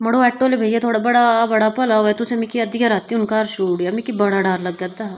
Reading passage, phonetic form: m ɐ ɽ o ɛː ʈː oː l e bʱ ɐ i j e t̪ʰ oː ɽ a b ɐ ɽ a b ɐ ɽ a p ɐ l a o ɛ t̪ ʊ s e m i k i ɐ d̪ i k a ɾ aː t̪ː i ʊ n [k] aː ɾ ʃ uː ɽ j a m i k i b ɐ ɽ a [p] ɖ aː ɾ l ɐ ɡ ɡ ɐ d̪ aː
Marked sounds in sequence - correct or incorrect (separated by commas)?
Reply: correct, incorrect